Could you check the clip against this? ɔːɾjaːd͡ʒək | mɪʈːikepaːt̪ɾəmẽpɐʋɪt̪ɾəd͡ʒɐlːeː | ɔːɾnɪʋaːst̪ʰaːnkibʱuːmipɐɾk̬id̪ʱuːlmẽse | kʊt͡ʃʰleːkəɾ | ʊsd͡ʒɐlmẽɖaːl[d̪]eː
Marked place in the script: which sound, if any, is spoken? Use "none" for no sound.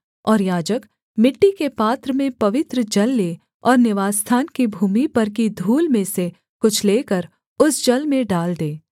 d̪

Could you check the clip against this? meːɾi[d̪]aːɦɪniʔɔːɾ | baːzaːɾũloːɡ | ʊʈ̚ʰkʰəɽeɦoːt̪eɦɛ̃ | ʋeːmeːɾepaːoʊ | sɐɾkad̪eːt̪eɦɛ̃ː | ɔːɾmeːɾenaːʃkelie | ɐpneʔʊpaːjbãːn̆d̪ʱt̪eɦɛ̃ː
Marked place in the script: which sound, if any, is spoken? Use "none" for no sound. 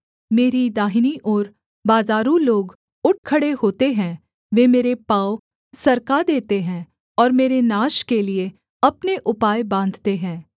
d̪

